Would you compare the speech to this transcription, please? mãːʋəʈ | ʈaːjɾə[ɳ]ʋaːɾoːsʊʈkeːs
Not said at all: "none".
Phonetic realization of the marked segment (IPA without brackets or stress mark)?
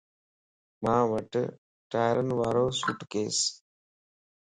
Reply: n